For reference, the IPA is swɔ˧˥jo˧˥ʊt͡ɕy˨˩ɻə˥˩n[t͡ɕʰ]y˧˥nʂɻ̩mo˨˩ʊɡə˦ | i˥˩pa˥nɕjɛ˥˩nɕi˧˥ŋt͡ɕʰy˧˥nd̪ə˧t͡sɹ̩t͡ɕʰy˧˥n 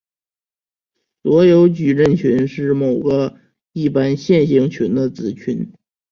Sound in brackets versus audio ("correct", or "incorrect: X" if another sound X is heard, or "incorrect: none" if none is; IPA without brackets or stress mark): correct